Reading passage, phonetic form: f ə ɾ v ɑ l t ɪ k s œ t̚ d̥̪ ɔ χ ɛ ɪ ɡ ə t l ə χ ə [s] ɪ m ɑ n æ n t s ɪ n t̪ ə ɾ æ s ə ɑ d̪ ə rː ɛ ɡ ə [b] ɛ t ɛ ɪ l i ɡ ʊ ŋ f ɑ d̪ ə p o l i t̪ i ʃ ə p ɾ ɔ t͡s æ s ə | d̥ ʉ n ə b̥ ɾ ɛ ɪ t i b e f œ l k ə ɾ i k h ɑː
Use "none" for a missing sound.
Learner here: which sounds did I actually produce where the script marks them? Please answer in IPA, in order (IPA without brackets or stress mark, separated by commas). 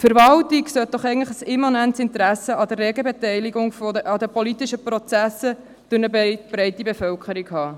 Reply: s, b